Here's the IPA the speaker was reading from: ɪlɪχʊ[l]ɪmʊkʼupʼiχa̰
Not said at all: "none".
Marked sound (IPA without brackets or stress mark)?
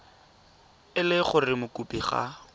r